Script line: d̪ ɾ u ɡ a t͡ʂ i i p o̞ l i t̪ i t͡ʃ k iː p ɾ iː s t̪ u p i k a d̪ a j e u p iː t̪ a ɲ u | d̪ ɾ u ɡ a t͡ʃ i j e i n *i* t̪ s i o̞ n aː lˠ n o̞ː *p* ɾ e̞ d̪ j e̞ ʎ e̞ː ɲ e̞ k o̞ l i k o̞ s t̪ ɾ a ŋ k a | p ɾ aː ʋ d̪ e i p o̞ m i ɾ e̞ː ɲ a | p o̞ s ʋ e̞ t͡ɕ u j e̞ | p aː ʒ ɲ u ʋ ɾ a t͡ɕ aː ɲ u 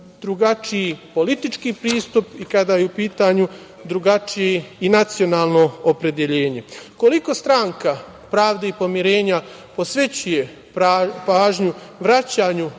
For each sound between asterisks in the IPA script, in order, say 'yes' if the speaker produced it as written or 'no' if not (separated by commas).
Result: no, yes